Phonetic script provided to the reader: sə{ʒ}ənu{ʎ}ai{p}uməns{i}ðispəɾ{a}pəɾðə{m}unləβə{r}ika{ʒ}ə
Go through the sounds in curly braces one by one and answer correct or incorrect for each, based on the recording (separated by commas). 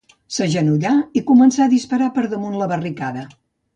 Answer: correct, correct, incorrect, incorrect, correct, correct, correct, incorrect